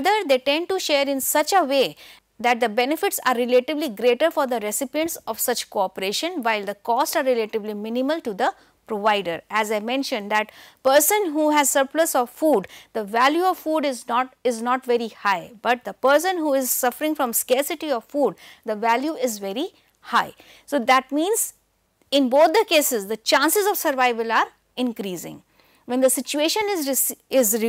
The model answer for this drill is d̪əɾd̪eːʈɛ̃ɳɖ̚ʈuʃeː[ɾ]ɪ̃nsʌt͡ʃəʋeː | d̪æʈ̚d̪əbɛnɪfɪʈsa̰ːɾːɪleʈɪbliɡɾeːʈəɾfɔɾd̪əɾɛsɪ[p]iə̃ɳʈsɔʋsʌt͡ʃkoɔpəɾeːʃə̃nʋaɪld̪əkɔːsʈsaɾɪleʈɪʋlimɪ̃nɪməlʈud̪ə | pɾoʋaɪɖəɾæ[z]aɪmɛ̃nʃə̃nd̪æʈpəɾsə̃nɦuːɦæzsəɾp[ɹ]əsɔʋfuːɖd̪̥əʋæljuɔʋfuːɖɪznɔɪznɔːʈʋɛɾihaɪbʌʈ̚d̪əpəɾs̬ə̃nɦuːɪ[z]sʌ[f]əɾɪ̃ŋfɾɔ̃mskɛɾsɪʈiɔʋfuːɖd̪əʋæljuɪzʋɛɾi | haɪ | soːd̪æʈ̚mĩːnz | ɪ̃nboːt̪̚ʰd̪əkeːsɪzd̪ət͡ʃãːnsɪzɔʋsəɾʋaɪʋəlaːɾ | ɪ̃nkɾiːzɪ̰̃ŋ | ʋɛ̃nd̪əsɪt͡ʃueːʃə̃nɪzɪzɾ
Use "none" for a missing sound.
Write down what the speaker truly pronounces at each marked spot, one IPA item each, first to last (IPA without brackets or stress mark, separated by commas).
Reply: ɾ, p, z, l, z, f